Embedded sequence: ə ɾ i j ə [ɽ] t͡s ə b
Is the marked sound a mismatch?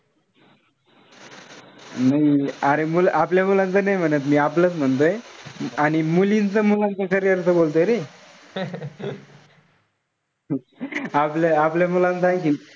yes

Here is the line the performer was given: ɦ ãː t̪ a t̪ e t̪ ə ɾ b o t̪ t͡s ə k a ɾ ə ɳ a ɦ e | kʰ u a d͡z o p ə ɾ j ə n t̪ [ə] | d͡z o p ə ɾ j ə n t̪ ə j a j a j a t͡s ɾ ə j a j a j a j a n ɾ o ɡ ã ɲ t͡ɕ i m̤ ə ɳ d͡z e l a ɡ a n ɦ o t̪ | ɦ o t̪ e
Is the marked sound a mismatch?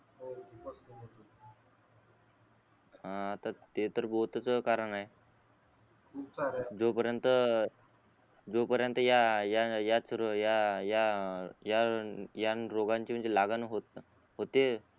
no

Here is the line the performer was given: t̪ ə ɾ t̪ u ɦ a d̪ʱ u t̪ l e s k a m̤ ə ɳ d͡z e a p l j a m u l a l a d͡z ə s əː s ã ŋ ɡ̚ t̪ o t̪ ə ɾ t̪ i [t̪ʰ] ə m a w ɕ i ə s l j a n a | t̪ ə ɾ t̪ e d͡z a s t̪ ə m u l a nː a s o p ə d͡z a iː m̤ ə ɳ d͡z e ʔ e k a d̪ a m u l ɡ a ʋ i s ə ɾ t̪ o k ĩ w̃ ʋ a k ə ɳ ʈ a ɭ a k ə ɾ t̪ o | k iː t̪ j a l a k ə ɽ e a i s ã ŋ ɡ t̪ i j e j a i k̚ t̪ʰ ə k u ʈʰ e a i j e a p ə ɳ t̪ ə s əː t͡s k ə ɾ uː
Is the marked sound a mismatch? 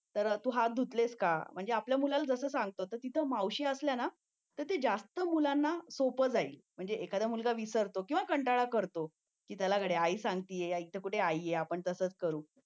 no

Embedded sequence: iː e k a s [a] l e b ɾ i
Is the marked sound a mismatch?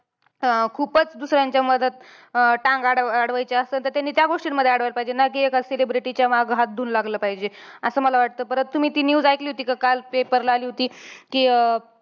yes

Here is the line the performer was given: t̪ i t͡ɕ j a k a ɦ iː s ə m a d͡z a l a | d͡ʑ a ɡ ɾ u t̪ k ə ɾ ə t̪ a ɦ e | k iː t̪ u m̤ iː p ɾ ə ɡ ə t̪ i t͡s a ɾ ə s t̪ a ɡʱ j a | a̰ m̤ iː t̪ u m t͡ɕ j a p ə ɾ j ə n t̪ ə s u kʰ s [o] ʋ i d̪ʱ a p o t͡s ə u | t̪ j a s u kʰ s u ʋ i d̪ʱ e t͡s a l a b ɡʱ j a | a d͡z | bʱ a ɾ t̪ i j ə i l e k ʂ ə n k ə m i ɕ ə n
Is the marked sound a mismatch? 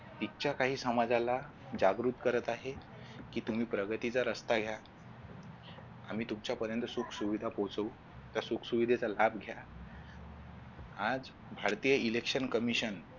yes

